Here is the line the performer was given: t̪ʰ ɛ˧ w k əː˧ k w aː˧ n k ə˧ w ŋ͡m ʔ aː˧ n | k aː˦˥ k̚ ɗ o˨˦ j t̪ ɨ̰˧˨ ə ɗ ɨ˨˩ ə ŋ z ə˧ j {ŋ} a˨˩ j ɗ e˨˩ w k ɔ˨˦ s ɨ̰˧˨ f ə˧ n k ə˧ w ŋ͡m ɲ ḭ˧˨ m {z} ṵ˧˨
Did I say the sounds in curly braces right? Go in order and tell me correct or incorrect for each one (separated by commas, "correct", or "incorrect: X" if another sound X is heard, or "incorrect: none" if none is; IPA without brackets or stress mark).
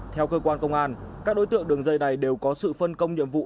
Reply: incorrect: n, incorrect: v